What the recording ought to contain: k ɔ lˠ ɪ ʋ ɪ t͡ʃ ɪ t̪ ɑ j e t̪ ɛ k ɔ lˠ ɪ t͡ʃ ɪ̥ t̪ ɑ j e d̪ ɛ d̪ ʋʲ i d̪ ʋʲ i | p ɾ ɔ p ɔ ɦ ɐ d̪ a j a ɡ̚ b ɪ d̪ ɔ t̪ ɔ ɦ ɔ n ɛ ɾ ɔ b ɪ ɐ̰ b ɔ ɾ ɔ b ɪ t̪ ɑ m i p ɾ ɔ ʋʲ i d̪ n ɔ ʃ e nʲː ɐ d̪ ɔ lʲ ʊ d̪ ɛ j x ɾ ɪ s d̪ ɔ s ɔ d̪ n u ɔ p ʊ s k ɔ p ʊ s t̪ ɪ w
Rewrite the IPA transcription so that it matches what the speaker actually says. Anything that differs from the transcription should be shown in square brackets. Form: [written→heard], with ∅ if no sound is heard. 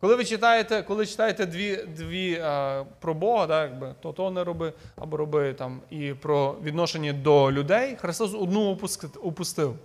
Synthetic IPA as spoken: k ɔ lˠ ɪ ʋ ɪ t͡ʃ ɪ t̪ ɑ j e t̪ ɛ k ɔ lˠ ɪ t͡ʃ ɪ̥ t̪ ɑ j e [d̪→t̪] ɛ d̪ ʋʲ i d̪ ʋʲ i | p ɾ ɔ [p→b] ɔ ɦ ɐ d̪ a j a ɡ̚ b ɪ [d̪→t̪] ɔ t̪ ɔ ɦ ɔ n ɛ ɾ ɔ b ɪ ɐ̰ b ɔ ɾ ɔ b ɪ t̪ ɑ m i p ɾ ɔ ʋʲ i d̪ n ɔ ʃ e nʲː ɐ d̪ ɔ lʲ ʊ d̪ ɛ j x ɾ ɪ s [d̪→t̪] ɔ s ɔ d̪ n u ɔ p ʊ s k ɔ p ʊ s t̪ ɪ w